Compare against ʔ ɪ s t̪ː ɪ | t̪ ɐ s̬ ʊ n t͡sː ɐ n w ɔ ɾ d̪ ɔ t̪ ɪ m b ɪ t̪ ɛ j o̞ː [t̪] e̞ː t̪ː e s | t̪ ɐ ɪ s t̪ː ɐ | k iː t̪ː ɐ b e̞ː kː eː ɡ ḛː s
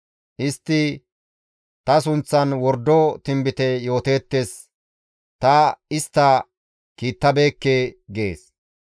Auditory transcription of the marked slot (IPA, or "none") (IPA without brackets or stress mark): t̪